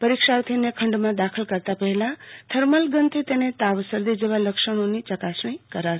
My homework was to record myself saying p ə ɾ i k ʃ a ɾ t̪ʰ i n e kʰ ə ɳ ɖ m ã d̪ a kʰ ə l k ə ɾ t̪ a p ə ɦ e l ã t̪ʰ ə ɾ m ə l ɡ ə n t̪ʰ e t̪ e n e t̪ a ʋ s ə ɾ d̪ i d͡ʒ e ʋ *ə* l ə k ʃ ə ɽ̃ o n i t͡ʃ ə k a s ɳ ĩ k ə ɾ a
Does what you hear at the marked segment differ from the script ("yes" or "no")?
yes